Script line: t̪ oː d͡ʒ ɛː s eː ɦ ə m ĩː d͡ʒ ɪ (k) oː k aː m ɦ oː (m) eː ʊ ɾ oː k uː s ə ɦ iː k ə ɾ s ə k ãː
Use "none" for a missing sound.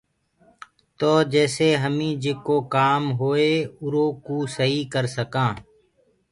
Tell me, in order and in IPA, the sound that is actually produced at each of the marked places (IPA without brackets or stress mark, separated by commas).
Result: k, none